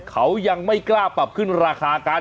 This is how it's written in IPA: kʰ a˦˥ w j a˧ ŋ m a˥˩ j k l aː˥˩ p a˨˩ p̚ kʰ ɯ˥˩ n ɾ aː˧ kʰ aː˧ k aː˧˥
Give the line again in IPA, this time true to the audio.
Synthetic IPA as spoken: kʰ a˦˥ w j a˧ ŋ m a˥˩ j k l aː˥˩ p a˨˩ p̚ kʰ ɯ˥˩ n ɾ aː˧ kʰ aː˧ k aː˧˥